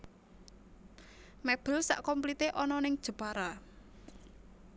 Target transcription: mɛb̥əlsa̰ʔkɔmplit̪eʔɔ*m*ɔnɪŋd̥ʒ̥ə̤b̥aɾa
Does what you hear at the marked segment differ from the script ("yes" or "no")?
yes